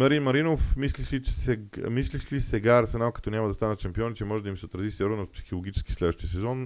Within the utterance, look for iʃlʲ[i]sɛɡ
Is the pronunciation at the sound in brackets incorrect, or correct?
correct